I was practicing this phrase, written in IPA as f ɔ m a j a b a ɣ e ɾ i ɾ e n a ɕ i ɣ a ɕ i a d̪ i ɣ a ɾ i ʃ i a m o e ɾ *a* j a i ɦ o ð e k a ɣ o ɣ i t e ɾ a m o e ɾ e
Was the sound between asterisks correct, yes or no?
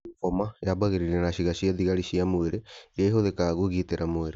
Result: no